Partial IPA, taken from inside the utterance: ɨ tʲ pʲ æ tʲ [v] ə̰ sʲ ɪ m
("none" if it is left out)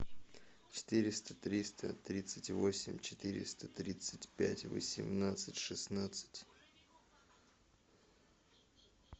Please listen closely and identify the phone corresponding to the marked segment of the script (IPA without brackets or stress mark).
v